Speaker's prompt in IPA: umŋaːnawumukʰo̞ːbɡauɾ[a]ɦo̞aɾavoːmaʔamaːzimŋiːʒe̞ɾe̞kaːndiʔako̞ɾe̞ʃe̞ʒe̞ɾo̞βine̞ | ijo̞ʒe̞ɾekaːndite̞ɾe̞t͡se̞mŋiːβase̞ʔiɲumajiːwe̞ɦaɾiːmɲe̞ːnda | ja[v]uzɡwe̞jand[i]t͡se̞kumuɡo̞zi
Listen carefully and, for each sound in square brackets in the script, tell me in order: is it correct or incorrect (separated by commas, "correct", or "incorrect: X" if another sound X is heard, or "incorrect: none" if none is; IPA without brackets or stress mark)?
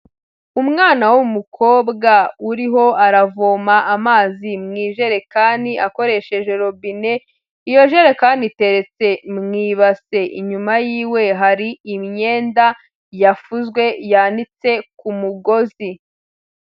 incorrect: i, incorrect: f, correct